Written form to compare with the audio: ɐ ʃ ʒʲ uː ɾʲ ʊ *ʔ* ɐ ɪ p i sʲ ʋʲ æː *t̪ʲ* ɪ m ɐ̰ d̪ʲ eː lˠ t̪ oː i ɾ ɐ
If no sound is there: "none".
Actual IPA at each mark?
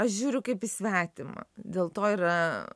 k, t̪ʲ

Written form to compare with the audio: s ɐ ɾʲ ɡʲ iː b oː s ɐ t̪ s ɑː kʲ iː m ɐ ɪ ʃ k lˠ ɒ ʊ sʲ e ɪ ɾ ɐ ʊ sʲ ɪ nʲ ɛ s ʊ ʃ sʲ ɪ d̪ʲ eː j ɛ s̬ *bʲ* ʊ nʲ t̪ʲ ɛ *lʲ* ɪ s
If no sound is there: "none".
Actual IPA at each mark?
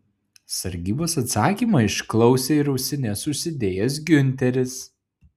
ɡʲ, ɾʲ

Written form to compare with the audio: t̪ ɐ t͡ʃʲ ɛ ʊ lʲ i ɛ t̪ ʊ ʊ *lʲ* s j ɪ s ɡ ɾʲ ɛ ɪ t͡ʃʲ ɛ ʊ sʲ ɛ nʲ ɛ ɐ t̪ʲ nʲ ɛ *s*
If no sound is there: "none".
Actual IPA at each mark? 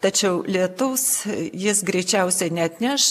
none, ʃ

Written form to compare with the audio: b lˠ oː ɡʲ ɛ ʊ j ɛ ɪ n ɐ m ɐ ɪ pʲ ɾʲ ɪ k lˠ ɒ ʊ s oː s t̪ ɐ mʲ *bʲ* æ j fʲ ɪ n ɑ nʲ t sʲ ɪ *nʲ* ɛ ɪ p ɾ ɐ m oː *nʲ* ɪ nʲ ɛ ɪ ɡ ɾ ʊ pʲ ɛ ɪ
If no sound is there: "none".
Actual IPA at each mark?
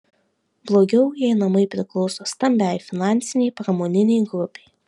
bʲ, nʲ, nʲ

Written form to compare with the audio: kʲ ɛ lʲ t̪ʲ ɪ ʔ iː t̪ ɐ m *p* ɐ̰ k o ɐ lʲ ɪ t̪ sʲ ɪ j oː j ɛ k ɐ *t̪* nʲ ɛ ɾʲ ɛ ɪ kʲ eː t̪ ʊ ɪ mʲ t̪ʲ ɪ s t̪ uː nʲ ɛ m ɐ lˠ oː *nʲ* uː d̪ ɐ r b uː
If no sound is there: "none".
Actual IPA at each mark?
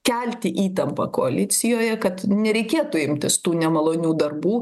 p, t̪, nʲ

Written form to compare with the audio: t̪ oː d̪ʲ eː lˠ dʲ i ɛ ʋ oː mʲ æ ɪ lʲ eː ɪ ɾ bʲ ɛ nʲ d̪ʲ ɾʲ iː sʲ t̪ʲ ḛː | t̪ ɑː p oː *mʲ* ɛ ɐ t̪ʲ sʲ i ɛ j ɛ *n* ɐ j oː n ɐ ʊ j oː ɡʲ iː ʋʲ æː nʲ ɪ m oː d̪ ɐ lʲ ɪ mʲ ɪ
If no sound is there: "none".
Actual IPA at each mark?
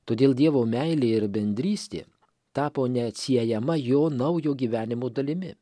nʲ, m

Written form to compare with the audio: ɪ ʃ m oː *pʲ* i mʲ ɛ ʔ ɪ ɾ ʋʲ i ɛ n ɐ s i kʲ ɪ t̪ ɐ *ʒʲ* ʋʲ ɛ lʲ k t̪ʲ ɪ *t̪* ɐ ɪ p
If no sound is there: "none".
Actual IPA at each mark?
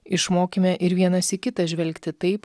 kʲ, ʒʲ, t̪

